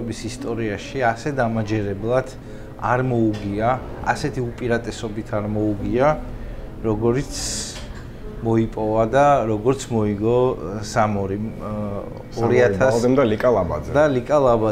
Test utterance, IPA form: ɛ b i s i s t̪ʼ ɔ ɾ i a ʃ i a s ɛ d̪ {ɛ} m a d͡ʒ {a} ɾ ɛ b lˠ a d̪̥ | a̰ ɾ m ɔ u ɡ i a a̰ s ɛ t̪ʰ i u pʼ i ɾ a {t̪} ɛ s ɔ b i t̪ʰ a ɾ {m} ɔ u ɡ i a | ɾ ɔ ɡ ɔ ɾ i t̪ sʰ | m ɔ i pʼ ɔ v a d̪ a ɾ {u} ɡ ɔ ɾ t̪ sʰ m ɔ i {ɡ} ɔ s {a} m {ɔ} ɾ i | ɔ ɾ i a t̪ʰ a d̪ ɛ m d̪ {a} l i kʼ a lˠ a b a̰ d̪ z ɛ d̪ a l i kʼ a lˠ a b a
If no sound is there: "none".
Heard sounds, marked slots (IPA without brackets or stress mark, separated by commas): a, ɛ, t̪ʼ, m, ɔ, ɡ, a, ɔ, a